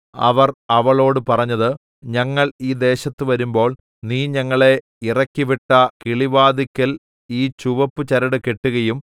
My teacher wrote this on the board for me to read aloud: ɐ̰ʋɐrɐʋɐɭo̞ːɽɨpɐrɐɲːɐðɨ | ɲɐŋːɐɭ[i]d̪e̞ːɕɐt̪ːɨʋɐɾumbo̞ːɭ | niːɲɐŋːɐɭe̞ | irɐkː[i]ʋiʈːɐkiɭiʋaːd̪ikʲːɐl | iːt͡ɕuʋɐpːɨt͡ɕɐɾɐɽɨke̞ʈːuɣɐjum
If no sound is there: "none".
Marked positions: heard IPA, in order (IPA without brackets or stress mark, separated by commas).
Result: iː, i